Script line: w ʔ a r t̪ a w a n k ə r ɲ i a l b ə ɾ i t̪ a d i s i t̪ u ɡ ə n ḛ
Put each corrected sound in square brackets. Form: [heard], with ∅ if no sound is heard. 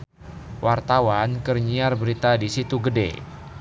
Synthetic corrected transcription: w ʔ a r t̪ a w a n k ə r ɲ i a [r] b ə ɾ i t̪ a d i s i t̪ u ɡ ə [d] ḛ